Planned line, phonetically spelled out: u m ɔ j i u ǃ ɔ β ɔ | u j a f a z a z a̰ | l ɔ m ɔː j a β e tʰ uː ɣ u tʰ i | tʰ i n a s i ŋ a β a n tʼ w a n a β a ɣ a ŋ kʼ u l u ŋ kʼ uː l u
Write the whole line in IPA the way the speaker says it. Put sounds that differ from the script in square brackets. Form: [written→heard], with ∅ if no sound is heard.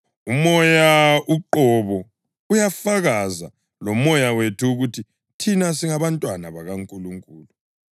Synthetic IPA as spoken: u m ɔ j [i→a] u ǃ ɔ β ɔ | u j a f a [z→ɣ] a z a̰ | l ɔ m [ɔː→ɔ] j a [β→w] e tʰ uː ɣ u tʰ i | tʰ i n a s i ŋ a β a n tʼ w a n a β a ɣ a ŋ kʼ u l u ŋ kʼ uː l u

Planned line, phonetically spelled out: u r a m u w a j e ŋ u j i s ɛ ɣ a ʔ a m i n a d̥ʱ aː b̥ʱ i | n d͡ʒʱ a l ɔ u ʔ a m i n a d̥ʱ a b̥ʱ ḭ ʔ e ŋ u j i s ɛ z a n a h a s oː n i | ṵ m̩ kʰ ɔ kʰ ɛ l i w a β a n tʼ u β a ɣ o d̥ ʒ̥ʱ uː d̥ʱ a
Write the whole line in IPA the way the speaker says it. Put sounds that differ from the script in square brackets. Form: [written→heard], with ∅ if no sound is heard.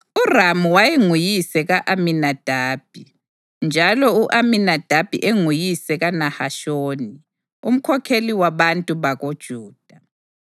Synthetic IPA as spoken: u r a m u w a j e ŋ u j i s ɛ ɣ a ʔ a m i n a d̥ʱ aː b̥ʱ i | n d͡ʒʱ a l ɔ u ʔ a m i n a d̥ʱ a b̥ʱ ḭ ʔ e ŋ u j i s ɛ [z→ɣ] a n a h a [s→ʃ] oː n i | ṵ m̩ kʰ ɔ kʰ [ɛ→e] l i w a β a n tʼ u β a ɣ o d̥ ʒ̥ʱ uː d̥ʱ a

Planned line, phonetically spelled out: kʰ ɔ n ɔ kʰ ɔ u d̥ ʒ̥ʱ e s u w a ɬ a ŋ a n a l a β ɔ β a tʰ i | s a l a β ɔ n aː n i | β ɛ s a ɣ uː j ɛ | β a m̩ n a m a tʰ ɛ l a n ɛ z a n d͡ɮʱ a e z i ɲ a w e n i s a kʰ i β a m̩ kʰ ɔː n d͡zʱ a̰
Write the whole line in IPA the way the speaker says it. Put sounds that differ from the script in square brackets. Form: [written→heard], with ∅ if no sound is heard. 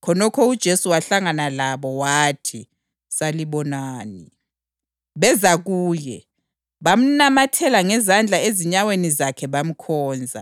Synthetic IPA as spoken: kʰ ɔ n ɔ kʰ ɔ u d̥ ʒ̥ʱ e s u w a ɬ a ŋ a n a l a β ɔ [β→w] a tʰ i | s a l [a→i] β ɔ n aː n i | β ɛ [s→z] a ɣ uː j ɛ | β a m̩ n a m a tʰ ɛ l a [n→ŋ] ɛ z a n d͡ɮʱ a e z i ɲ a w e n i [s→z] a kʰ [i→ɛ] β a m̩ kʰ ɔː n d͡zʱ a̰

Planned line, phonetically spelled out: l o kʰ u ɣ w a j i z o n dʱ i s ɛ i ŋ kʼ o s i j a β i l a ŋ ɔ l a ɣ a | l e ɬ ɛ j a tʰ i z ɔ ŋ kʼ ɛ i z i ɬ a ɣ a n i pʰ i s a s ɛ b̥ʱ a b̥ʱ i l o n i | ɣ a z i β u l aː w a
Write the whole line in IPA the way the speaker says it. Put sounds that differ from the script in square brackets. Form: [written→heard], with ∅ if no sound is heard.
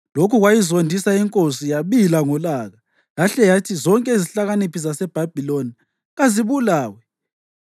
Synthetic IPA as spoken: l o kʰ u ɣ w a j i z o n dʱ i s [ɛ→a] i ŋ kʼ o s i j a β i l a ŋ ɔ l a ɣ a | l [e→a] ɬ ɛ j a tʰ i z ɔ ŋ kʼ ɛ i z i ɬ a ɣ a n i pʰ i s a s ɛ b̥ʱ a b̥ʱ i l o n i | ɣ a z i β u l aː w [a→ɛ]

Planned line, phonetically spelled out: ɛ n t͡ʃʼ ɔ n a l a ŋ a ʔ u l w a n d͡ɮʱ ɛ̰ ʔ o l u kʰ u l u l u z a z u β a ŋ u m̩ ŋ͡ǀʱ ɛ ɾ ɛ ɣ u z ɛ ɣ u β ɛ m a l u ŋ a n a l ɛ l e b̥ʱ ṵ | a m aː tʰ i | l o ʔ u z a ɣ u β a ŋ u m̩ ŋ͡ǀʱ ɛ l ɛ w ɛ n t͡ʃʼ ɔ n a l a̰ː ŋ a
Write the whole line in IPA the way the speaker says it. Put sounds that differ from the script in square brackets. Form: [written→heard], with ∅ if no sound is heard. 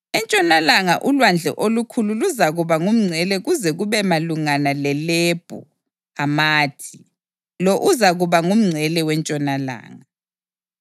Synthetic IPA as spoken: ɛ n t͡ʃʼ ɔ n a l a ŋ a ʔ u l w a n d͡ɮʱ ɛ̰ ʔ o l u kʰ u l u l u z a [z→ɣ] u β a ŋ u m̩ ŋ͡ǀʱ ɛ [ɾ→l] ɛ ɣ u z ɛ ɣ u β ɛ m a l u ŋ a n a l ɛ l e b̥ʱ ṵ | a m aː tʰ i | l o ʔ u z a ɣ u β a ŋ u m̩ ŋ͡ǀʱ ɛ l ɛ w ɛ n t͡ʃʼ ɔ n a l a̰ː ŋ a

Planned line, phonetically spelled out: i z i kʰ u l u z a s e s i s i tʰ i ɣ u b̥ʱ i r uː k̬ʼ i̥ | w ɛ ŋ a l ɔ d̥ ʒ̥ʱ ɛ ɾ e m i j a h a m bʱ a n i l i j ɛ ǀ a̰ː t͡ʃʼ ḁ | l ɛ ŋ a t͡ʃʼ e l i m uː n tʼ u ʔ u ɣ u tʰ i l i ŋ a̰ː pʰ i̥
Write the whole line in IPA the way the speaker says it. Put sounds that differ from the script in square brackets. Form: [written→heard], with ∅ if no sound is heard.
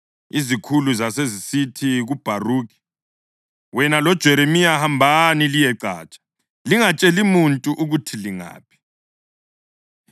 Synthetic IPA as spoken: i z i kʰ u l u z a s e [s→z] i s i tʰ i ɣ u b̥ʱ [i→a] r uː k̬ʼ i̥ | w ɛ [ŋ→n] a l ɔ d̥ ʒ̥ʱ ɛ ɾ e m i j a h a m bʱ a n i l i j ɛ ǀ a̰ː t͡ʃʼ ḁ | l [ɛ→i] ŋ a t͡ʃʼ e l i m [uː→u] n tʼ u ʔ u ɣ u tʰ i l i ŋ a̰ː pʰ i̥

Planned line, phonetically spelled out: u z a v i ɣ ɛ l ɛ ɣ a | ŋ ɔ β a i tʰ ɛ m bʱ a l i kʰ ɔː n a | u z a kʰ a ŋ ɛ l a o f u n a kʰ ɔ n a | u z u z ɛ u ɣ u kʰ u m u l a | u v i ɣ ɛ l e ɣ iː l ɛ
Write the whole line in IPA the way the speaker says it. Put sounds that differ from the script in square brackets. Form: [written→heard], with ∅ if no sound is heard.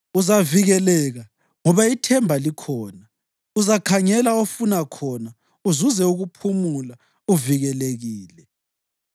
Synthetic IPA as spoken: u z a v i ɣ ɛ l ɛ ɣ a | ŋ ɔ β a i tʰ ɛ m bʱ a l i kʰ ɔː n a | u z a kʰ a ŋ ɛ l a o f u n a kʰ ɔ n a | u z u z ɛ u ɣ u [kʰ→pʰ] u m u l a | u v i ɣ ɛ l e ɣ iː l ɛ

